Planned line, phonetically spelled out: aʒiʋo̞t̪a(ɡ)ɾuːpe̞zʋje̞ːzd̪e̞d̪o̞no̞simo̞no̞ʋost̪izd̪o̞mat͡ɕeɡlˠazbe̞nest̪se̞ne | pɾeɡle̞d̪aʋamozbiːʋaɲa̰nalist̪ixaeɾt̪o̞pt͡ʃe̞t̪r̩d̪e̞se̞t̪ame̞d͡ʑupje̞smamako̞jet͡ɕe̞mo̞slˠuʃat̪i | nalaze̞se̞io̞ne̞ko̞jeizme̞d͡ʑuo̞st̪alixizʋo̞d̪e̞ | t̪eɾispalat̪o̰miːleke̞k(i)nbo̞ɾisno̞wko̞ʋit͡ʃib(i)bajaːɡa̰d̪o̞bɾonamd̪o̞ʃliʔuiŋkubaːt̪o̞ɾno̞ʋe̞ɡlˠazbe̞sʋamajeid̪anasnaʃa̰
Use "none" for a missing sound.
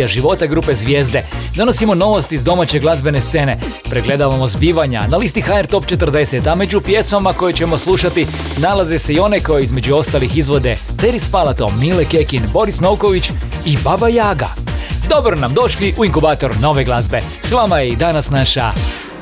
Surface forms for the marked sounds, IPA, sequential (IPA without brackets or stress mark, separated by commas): ɡ, i, a